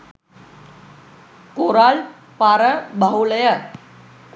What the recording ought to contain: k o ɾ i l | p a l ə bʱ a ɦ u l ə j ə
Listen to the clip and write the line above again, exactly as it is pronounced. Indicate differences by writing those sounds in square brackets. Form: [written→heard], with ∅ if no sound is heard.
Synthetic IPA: k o ɾ [i→a] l | p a [l→ɾ] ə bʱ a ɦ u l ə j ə